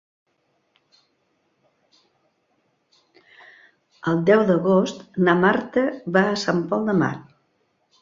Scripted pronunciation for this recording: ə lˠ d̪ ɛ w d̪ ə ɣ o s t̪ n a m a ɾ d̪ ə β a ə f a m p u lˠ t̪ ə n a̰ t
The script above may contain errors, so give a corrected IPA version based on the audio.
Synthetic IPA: ə lˠ d̪ ɛ w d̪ ə ɣ o s t̪ n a m a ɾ t̪ ə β a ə s a m p ɔ lˠ d̪ ə m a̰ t